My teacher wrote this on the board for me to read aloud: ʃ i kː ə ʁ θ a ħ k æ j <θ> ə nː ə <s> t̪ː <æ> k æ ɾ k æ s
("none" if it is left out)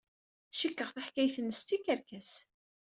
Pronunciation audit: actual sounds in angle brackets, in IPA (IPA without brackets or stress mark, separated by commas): θ, s, i